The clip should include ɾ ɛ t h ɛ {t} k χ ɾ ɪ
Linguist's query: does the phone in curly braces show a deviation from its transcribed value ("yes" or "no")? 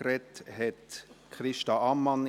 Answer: no